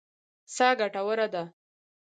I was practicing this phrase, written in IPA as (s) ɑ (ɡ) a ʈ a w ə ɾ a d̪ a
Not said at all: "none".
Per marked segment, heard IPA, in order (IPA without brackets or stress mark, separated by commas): s, ɡ